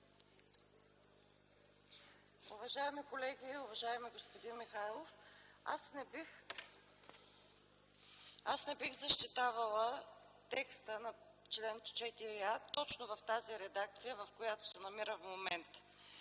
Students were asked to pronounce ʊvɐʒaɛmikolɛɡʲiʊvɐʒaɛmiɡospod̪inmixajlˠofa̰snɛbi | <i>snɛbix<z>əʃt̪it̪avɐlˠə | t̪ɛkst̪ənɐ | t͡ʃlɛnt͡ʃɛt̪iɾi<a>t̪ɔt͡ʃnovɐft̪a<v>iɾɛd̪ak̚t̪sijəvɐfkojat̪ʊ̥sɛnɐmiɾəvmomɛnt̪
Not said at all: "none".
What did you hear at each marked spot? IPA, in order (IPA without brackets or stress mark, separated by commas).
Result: a, z, a, z